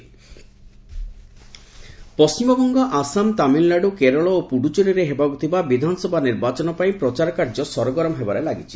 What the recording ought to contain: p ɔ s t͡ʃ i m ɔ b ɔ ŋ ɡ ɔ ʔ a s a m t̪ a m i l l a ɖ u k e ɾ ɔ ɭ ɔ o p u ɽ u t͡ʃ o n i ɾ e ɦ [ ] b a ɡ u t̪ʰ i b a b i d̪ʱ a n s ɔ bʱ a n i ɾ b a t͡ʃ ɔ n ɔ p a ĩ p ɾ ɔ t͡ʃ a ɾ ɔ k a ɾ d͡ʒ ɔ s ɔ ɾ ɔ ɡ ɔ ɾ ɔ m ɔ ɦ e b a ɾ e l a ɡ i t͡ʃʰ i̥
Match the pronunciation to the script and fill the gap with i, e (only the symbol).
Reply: e